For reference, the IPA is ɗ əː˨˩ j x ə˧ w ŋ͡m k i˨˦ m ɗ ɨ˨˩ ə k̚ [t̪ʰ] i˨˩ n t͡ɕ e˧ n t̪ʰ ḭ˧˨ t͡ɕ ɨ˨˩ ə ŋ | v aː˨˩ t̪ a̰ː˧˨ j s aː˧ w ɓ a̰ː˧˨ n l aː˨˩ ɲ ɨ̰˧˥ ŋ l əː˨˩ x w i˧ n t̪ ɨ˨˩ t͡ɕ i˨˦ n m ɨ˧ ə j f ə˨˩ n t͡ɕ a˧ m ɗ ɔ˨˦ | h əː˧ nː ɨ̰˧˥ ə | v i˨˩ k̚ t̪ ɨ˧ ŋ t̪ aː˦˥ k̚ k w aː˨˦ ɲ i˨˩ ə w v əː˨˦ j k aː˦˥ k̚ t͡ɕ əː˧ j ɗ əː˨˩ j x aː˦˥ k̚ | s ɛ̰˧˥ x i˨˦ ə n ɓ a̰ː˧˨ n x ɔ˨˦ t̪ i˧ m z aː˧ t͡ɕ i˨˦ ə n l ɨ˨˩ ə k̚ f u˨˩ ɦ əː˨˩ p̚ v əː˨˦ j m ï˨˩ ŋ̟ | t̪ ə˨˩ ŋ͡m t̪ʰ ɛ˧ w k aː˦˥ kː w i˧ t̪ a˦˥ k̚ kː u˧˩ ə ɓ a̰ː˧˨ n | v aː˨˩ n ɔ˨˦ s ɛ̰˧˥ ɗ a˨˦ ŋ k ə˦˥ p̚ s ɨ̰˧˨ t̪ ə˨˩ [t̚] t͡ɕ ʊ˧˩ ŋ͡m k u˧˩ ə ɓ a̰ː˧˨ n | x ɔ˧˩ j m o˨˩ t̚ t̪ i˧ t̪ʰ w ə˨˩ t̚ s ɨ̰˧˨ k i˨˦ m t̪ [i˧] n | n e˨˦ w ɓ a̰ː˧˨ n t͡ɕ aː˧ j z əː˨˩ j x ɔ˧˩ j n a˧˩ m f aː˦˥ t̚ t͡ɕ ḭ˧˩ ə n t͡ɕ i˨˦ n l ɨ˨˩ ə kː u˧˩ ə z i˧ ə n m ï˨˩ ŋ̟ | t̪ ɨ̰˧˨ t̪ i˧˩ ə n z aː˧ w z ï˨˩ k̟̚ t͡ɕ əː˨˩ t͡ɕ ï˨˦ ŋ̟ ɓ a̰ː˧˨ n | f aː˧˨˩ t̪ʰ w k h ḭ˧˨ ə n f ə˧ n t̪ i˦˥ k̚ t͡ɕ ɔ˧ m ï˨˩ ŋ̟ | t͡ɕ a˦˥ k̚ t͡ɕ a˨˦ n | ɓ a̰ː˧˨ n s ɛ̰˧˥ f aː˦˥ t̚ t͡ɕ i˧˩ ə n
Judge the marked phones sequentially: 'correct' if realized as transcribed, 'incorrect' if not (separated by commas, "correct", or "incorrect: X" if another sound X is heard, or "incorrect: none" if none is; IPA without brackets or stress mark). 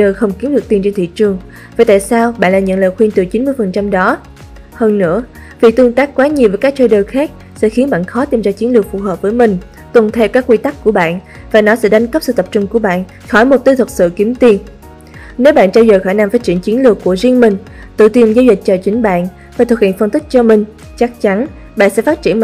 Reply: incorrect: t̪, incorrect: p̚, correct